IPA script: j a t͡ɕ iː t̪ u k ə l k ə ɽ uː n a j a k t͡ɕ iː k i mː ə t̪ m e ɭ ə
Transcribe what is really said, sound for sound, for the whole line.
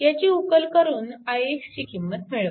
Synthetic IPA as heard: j a t͡ɕ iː u k ə l k ə ɾ uː n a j e k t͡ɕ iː k i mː ə t̪ m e ɭ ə

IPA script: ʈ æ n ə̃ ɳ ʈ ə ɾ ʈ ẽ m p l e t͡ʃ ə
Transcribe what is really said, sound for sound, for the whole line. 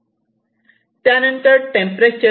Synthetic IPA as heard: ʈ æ n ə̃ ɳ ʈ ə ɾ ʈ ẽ m p ɾ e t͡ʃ ə

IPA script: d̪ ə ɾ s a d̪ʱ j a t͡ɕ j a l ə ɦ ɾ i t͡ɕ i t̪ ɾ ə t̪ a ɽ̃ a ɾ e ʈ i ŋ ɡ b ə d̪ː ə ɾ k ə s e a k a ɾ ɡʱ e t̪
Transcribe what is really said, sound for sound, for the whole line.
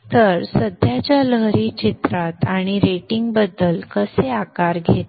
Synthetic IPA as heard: t̪ ə ɾ s ə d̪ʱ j a t͡ɕ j a l ə ɦ ɾ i t͡ɕ i t̪ ɾ a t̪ a ɽ̃ i ɾ e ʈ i ŋ ɡ b ə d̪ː ə l k ə s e a k a ɾ ɡʱ e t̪

